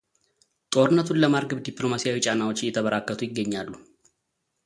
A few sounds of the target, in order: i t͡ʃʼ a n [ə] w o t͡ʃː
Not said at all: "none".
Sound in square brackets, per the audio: a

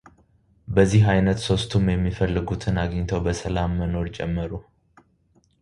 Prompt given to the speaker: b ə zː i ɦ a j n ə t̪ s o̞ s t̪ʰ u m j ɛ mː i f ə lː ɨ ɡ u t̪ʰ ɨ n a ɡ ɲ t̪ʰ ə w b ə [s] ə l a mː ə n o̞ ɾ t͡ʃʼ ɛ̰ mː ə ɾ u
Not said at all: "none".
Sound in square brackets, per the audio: s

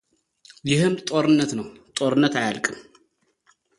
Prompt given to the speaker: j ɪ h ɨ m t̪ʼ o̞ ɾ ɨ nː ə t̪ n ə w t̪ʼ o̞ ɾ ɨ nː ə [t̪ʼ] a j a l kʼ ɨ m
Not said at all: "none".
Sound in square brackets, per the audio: t̪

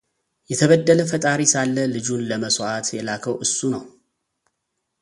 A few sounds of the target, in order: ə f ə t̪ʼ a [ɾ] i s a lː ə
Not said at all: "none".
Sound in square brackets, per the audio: ɾ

